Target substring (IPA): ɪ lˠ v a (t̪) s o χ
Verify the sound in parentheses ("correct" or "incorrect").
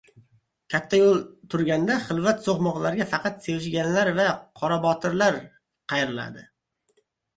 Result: correct